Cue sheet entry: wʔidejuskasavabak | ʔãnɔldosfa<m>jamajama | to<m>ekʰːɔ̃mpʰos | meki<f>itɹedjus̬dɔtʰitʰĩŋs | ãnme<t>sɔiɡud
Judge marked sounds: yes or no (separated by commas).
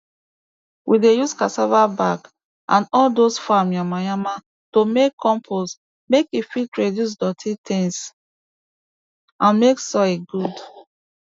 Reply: yes, yes, yes, no